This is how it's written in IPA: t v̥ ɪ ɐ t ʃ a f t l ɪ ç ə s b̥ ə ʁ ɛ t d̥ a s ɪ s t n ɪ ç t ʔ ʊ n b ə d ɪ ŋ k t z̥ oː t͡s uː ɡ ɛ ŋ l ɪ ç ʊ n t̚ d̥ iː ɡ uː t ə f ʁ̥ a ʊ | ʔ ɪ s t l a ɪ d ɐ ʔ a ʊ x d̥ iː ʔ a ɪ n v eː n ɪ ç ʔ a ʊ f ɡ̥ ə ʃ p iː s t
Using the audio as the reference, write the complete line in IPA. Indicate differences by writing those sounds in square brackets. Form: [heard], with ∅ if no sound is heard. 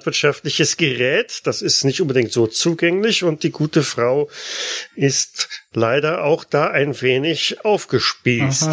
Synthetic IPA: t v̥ ɪ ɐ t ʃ a f t l ɪ ç ə s [ɡ̥] ə ʁ [ɛː] t d̥ a s ɪ s t n ɪ ç t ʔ ʊ n b ə d ɪ ŋ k t z̥ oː t͡s uː ɡ ɛ ŋ l ɪ ç ʊ n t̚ d̥ iː ɡ uː t ə f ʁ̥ a ʊ | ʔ ɪ s t l a ɪ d ɐ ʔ a ʊ x d̥ [aː] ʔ a ɪ n v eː n ɪ ç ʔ a ʊ f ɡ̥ ə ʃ p iː s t